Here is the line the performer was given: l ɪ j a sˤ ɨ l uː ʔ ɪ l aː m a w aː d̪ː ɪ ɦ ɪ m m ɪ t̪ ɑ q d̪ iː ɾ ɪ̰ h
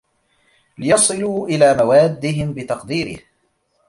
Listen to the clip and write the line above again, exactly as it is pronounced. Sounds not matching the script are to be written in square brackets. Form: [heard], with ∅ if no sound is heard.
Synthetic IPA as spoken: l ɪ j [ɑ] sˤ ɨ l uː ʔ ɪ l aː m a w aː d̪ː ɪ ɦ ɪ m [b] ɪ t̪ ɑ q d̪ iː ɾ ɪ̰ h